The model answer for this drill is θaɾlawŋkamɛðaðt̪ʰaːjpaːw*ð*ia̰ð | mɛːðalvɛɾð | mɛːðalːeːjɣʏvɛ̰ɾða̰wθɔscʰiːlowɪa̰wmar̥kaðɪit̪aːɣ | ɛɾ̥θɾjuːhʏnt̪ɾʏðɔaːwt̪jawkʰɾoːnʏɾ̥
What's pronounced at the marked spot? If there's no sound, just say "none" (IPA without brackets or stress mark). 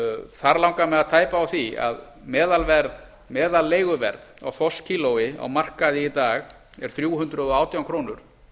θ